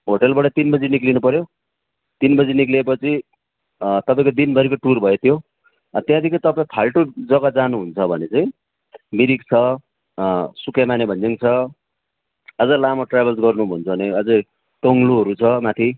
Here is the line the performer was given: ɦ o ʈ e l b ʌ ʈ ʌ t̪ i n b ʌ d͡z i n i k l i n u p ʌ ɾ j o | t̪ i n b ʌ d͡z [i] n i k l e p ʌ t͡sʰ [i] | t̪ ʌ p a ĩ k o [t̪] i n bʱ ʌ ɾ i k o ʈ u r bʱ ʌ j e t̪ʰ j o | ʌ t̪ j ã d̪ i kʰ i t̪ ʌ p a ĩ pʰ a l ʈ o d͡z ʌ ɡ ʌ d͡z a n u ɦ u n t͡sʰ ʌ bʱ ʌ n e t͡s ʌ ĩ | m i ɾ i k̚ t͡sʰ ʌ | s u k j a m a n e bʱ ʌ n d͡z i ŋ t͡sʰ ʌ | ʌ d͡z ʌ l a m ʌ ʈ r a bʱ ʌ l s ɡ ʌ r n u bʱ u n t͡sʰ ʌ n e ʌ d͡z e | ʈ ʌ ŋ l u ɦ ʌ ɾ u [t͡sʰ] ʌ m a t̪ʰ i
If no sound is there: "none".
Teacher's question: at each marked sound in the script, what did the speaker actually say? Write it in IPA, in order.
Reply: i, i, d̪, t͡sʰ

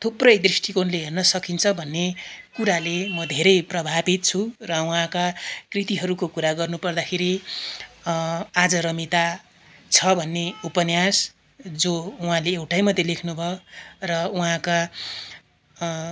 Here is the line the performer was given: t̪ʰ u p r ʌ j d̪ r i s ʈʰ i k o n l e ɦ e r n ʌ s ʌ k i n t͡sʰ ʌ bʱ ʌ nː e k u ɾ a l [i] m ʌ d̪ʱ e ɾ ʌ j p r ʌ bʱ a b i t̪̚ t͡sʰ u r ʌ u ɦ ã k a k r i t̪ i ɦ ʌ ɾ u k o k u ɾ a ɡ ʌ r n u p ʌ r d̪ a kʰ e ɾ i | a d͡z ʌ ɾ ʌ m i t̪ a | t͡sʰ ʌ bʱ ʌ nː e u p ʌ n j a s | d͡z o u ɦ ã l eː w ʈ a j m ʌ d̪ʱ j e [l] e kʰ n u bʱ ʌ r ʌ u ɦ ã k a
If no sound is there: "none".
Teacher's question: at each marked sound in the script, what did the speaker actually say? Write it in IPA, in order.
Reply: e, l

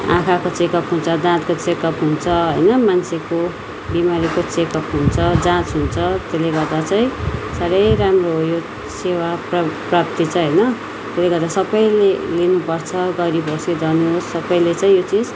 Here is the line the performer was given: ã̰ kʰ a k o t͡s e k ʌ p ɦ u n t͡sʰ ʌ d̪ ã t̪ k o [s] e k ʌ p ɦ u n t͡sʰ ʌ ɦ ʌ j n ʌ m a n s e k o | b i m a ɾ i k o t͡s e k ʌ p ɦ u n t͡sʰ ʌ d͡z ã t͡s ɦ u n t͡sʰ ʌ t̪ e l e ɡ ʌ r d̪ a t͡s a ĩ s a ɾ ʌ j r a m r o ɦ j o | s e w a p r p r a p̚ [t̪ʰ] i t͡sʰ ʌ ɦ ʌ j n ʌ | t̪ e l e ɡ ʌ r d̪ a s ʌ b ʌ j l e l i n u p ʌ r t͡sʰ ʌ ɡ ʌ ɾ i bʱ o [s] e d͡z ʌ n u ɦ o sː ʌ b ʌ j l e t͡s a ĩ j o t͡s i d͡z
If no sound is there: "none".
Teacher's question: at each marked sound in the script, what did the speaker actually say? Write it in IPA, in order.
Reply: t͡s, t̪, s

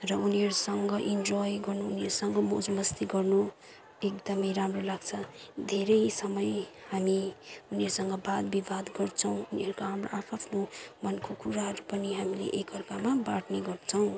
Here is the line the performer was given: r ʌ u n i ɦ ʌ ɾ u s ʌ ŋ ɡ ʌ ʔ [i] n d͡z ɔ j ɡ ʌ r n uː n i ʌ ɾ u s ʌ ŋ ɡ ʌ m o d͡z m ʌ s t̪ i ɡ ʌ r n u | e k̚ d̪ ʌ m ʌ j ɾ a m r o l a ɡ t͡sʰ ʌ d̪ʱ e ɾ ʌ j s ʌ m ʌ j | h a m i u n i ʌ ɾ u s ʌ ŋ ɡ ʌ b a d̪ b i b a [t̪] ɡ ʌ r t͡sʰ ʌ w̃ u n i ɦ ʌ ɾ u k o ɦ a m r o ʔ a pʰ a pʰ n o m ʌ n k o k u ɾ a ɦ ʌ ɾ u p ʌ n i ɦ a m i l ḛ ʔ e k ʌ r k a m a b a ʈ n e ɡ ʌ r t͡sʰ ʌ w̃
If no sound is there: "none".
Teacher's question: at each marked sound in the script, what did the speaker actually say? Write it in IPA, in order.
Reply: i, d̪

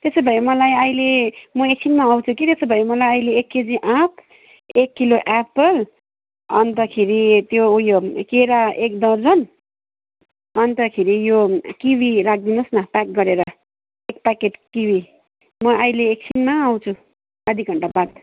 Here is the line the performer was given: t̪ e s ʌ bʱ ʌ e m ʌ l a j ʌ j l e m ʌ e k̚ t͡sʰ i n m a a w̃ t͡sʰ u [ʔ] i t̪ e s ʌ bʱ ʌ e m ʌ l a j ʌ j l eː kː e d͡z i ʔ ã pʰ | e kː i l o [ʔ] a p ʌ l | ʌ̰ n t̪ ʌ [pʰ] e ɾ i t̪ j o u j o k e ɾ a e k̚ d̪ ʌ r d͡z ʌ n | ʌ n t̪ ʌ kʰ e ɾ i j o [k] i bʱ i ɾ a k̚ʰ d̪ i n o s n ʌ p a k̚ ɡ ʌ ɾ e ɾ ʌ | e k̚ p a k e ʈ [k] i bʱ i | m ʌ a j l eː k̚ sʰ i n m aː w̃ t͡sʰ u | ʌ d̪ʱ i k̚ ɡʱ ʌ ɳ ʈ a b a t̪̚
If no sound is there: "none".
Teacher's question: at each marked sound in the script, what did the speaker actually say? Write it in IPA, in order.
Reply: k, ʔ, kʰ, k, k

